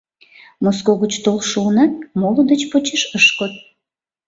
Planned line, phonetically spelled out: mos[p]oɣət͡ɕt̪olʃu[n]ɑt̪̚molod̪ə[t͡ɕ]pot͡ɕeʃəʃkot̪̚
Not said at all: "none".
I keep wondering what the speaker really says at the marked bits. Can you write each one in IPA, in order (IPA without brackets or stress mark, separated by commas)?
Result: k, n, t͡ɕ